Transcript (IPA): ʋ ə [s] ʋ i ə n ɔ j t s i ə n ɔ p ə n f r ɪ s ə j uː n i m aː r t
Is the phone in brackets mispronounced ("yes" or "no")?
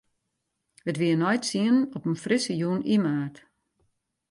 yes